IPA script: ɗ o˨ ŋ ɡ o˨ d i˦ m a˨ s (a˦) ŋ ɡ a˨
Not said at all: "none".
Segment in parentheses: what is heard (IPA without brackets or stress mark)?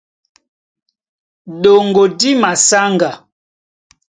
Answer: a˦